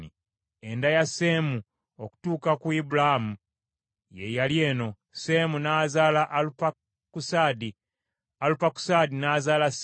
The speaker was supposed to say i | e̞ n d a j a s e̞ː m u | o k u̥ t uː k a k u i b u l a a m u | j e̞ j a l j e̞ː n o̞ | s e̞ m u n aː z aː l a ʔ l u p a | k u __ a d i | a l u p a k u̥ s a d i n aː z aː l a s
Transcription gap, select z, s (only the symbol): s